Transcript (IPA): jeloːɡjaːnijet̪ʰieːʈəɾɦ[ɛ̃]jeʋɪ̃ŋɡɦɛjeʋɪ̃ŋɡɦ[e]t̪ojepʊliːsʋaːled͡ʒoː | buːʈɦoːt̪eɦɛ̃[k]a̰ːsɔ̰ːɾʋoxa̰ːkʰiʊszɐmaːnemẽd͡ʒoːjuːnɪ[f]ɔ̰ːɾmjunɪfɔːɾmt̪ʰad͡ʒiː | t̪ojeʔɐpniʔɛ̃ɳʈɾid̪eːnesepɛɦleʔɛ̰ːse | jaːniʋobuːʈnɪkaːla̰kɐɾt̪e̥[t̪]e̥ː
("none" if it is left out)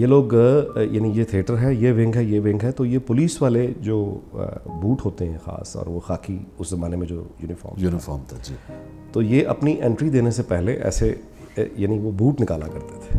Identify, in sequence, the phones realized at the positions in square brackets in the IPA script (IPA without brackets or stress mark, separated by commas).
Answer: ɛ, ɛ, x, f, t̪ʰ